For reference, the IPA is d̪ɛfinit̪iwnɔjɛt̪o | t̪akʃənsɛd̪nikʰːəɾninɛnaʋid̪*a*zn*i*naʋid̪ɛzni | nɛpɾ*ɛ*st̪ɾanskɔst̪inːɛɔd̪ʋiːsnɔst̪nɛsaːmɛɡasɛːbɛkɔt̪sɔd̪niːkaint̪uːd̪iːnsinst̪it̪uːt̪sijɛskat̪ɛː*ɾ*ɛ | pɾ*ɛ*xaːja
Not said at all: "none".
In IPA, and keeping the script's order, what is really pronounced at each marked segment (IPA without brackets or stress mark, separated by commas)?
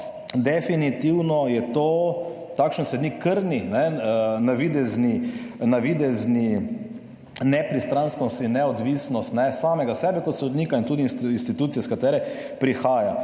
ɛ, i, i, ɾ, i